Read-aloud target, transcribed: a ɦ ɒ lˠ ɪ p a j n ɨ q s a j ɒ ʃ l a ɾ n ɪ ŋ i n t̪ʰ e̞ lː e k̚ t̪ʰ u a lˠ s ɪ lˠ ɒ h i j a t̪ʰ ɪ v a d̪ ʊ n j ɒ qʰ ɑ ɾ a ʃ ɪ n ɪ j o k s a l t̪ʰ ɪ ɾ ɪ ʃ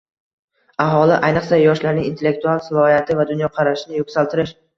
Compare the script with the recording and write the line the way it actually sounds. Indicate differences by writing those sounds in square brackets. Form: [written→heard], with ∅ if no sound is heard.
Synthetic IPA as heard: a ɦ ɒ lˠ ɪ [p→ʔ] a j n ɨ q s a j ɒ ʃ l a ɾ n ɪ ŋ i n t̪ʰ e̞ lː e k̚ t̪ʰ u a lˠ s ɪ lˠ ɒ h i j a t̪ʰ ɪ v a d̪ ʊ n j ɒ qʰ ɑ ɾ a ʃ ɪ n ɪ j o k s a l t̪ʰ ɪ ɾ ɪ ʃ